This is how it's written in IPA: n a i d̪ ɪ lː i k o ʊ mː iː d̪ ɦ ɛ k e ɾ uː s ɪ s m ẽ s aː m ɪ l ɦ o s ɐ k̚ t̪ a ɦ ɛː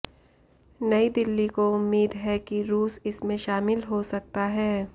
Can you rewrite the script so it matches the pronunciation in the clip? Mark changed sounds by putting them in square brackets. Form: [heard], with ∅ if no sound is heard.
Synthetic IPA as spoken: n [ɐ] i d̪ ɪ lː i k o ʊ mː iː d̪ ɦ ɛ k [i] ɾ uː s ɪ s m ẽ [ʃ] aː m ɪ l ɦ o s ɐ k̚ t̪ a ɦ ɛː